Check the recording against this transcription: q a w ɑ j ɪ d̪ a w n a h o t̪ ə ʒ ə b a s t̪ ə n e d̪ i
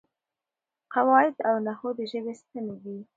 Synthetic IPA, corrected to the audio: q a w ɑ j ɪ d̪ a w n a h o d̪ ə ʒ ə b e s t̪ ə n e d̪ i

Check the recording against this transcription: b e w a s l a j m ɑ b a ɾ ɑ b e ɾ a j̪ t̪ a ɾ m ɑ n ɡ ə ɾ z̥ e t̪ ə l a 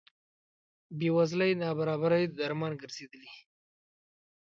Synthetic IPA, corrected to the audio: b e w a z l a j n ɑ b a ɾ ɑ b a ɾ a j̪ d̪ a ɾ m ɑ n ɡ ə ɾ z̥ e d̪ ə l i

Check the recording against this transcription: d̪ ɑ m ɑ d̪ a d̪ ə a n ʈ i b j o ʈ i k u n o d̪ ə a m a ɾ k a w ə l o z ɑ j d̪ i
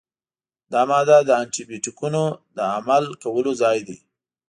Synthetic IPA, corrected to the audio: d̪ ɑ m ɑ d̪ a d̪ ə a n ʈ i b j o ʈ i k u n o d̪ ə a m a l k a w ə l o z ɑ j d̪ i

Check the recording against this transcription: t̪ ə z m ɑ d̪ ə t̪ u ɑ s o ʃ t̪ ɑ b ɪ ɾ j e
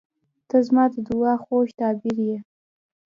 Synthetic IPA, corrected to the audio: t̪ ə z m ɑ d̪ ə d̪ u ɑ x o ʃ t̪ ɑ b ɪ ɾ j e

